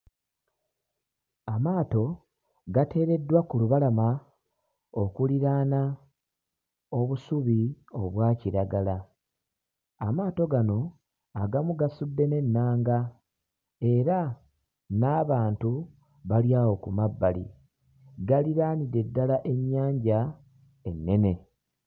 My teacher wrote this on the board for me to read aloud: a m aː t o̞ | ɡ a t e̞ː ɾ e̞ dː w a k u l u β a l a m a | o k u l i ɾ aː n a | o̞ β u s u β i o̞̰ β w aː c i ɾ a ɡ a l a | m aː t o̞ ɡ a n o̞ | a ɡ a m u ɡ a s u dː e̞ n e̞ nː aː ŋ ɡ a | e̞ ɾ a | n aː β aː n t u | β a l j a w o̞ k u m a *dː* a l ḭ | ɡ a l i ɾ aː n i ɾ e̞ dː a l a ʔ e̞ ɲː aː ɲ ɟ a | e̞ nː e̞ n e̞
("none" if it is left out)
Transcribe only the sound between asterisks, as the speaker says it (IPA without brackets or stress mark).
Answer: bː